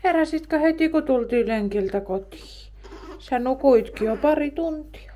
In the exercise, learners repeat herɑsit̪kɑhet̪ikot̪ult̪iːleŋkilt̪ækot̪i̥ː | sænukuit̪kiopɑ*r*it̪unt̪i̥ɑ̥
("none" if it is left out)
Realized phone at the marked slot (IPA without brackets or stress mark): r